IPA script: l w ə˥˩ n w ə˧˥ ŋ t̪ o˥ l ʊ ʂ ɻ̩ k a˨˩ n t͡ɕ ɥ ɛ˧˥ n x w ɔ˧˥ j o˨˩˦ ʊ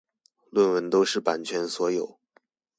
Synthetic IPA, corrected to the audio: l w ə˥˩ n w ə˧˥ n t̪ o˥ ʊ ʂ ɻ̩ p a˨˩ n t͡ɕʰ ɥ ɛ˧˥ n s w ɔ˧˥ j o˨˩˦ ʊ